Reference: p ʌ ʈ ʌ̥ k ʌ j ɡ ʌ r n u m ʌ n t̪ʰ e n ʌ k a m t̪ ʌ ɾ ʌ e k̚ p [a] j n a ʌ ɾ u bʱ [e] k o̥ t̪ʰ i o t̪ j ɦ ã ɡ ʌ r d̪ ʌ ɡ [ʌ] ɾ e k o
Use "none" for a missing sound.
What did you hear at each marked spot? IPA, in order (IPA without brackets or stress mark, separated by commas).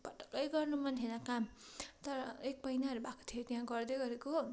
ʌ, a, ʌ